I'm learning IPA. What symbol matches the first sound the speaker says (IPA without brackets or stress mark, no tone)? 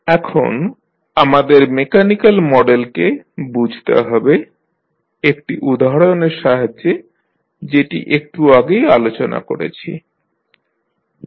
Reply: ɛ